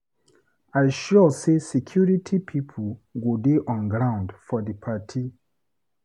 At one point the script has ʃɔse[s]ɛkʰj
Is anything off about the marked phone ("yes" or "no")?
no